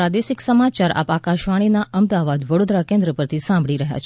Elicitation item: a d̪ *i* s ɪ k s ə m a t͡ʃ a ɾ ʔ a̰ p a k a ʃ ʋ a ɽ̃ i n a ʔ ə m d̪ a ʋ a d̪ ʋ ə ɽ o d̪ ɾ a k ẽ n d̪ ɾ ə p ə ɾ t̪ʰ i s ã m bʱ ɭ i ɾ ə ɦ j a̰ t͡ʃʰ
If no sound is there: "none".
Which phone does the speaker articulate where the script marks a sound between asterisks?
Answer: e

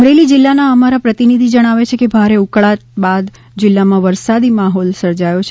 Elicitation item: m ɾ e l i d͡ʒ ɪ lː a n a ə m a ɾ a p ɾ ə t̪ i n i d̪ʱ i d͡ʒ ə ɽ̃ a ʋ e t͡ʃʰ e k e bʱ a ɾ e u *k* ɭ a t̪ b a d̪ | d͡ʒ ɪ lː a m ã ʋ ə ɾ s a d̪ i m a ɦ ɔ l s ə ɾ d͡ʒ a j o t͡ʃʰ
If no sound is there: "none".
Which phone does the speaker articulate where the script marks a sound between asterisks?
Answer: k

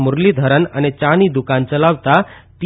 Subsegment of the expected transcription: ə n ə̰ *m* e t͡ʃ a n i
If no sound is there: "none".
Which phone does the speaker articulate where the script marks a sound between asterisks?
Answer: n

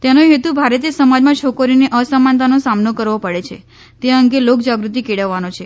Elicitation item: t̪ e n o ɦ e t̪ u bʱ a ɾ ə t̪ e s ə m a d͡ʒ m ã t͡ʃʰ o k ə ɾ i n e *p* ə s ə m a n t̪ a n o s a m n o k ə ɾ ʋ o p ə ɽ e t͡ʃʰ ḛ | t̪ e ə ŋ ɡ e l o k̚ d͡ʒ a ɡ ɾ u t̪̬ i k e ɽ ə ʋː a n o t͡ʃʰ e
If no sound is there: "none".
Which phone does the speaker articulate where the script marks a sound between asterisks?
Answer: ʔ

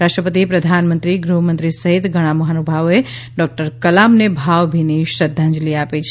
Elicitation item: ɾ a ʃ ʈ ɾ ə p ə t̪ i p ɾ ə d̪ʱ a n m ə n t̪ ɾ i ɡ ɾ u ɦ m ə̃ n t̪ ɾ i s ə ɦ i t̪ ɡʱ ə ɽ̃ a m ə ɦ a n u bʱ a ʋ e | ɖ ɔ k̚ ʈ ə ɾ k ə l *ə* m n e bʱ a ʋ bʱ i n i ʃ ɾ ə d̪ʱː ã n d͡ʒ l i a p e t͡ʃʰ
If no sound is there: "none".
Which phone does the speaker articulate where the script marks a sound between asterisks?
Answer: a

